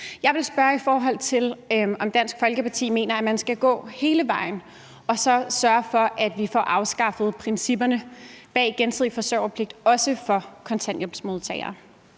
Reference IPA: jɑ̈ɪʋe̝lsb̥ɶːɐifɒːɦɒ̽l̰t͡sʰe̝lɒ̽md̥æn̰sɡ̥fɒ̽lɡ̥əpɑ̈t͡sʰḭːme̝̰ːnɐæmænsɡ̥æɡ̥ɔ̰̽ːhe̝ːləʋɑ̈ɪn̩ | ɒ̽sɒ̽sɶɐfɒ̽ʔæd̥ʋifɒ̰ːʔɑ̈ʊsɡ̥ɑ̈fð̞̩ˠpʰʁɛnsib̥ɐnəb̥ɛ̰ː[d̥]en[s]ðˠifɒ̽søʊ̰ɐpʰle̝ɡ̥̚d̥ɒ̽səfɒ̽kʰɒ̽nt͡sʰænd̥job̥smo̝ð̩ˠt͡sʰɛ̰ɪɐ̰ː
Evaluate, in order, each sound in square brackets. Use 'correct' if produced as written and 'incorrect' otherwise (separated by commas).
incorrect, correct